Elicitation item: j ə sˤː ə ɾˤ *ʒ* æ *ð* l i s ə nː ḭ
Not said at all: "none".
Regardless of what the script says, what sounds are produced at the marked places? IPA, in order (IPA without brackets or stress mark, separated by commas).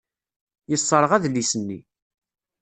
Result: ʁ, ð